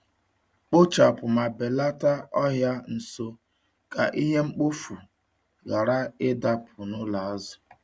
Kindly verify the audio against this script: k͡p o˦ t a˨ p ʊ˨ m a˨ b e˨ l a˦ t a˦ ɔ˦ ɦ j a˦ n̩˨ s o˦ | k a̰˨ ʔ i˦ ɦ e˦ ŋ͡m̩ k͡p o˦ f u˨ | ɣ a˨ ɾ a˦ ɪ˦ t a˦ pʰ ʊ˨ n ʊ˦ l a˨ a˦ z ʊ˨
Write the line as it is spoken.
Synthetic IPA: k͡p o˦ t͡ʃ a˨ p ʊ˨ m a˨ b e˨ l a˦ t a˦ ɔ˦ ɦ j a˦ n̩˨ s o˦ | k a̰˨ ʔ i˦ ɦ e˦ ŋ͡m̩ k͡p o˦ f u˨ | ɣ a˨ ɾ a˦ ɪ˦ d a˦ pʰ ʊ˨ n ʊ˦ l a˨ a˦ z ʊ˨